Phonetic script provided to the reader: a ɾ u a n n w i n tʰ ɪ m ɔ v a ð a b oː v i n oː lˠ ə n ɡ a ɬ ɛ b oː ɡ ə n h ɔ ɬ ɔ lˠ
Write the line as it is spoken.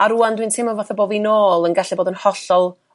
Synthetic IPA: a ɾ u a n d w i n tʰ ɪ m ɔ v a θ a b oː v i n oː lˠ ə n ɡ a ɬ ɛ b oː d ə n h ɔ ɬ ɔ lˠ